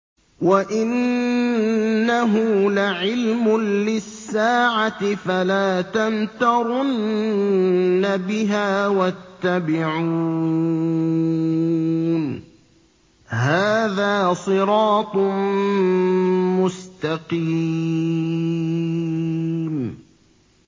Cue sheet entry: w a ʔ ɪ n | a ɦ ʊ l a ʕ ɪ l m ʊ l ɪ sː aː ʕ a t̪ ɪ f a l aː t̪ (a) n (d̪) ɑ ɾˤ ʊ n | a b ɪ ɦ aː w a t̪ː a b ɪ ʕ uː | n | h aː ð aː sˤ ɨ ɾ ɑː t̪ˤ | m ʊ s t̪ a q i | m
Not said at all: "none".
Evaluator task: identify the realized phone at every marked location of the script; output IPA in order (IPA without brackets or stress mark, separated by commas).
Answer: a, t̪